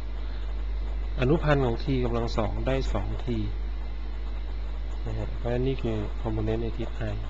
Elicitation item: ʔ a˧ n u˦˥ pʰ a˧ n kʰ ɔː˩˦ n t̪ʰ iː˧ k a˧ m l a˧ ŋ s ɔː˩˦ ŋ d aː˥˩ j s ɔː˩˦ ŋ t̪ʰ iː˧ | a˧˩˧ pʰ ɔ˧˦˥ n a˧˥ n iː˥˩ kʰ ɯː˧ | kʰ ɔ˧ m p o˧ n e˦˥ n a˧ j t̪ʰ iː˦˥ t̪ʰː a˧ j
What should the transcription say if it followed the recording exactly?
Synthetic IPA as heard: ʔ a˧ n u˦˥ pʰ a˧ n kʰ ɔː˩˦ ŋ t̪ʰ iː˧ k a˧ m l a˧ ŋ s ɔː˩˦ ŋ d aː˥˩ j s ɔː˩˦ ŋ t̪ʰ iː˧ | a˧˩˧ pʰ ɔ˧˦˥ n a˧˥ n iː˥˩ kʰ ɯː˧ | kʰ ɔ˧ m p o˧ n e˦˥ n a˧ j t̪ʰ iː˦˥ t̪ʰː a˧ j

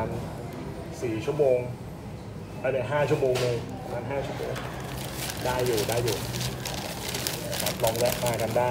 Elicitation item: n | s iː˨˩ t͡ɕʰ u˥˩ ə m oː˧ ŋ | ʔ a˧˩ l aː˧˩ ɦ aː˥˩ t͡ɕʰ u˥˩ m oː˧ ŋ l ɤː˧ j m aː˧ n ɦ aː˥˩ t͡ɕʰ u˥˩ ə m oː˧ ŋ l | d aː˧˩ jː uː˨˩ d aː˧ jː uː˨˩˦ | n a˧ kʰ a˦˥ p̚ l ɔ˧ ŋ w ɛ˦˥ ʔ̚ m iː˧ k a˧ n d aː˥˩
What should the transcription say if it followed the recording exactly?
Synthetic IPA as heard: n | s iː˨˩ t͡ɕʰ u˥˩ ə m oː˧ ŋ | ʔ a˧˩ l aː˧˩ ɦ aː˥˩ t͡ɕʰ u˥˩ m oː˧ ŋ l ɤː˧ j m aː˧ n ɦ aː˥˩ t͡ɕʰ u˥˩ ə m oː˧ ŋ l | d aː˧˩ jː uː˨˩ d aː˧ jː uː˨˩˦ | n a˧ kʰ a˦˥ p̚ l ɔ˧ ŋ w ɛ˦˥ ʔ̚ m aː˧ k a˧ n d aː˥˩

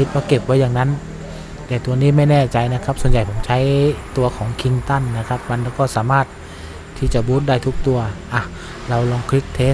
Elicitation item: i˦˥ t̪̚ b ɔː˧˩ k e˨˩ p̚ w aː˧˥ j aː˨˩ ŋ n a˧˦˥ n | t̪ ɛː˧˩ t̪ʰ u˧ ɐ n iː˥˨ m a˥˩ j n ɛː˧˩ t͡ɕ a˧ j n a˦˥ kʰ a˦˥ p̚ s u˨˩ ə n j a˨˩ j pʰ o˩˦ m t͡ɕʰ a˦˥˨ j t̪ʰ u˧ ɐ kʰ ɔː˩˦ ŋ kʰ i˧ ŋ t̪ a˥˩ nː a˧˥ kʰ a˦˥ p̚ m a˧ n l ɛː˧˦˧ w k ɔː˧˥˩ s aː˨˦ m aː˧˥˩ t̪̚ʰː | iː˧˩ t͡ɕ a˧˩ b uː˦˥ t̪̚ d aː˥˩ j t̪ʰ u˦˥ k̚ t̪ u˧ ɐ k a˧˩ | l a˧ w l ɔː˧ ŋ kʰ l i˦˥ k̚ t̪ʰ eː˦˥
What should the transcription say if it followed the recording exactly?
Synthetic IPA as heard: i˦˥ t̪̚ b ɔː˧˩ k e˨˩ p̚ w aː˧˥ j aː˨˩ ŋ n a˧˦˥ n | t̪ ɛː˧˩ t̪ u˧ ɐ n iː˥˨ m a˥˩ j n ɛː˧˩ t͡ɕ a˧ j n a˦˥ kʰ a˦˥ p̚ s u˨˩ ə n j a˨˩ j pʰ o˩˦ m t͡ɕʰ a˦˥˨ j t̪ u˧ ɐ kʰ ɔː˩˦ ŋ kʰ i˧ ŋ t̪ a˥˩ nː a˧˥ kʰ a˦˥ p̚ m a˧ n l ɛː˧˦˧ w k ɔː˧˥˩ s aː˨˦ m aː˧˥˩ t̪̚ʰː | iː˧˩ t͡ɕ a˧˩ b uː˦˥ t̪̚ d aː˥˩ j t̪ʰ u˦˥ k̚ t̪ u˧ ɐ ʔ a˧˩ | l a˧ w l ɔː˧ ŋ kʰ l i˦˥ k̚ t̪ʰ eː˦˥

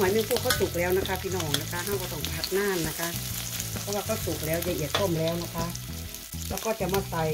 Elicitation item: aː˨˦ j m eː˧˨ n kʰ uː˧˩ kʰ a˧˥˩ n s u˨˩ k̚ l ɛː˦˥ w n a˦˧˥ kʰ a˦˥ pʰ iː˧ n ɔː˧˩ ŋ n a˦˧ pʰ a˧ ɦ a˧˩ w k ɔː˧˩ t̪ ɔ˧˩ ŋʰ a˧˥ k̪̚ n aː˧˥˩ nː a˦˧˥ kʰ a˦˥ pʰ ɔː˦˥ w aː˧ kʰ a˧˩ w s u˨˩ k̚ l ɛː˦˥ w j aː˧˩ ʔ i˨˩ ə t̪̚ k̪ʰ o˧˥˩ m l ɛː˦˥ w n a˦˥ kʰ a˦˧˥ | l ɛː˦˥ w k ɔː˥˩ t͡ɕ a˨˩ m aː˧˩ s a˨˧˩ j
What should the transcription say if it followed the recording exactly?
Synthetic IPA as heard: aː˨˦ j m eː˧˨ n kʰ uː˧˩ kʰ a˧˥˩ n s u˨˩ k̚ l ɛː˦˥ w n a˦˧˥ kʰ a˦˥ pʰ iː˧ n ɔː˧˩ ŋ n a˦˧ kʰ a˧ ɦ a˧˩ w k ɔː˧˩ t̪ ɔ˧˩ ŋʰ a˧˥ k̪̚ n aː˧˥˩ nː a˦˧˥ kʰ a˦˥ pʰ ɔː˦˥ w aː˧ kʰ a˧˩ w s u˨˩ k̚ l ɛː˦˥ w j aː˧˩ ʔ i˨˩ ə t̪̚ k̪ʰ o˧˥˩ m l ɛː˦˥ w n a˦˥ kʰ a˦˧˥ | l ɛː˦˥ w k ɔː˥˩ t͡ɕ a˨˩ m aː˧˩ s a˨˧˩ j

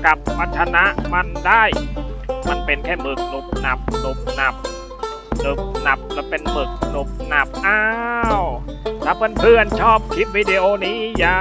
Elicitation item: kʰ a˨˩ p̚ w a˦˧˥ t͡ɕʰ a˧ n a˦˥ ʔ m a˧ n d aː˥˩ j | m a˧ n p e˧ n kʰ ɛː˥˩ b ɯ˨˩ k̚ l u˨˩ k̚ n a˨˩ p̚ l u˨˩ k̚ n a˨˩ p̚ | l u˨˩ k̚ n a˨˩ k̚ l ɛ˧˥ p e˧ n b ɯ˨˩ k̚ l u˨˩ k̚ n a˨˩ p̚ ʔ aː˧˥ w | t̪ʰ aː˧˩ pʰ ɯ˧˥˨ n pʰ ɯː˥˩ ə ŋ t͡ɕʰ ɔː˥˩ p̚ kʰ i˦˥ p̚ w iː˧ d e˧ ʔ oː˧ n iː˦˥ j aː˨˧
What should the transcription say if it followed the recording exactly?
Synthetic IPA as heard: k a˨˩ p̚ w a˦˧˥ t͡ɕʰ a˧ n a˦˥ ʔ m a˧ n d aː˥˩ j | m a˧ n p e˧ n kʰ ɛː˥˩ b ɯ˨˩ k̚ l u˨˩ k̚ n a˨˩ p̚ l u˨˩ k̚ n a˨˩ p̚ | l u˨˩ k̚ n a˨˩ p̚ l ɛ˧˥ p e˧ n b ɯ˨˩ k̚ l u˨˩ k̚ n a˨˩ p̚ ʔ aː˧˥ w | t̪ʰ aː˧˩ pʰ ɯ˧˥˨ n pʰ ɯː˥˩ ə n t͡ɕʰ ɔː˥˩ p̚ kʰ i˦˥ p̚ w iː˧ d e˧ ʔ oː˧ n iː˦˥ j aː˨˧

